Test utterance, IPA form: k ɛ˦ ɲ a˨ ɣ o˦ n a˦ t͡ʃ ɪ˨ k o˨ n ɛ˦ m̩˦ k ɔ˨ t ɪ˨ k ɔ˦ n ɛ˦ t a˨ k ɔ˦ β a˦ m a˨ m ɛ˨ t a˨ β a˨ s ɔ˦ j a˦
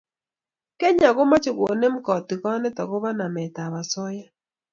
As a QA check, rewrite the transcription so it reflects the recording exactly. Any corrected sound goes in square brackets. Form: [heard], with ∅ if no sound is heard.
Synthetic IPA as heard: k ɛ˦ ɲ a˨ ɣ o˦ [m] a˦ t͡ʃ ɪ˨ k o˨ n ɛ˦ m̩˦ k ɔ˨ t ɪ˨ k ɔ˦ n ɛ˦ t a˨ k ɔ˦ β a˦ [n] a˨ m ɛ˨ t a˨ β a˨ s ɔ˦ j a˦